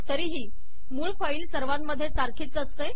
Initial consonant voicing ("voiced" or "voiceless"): voiceless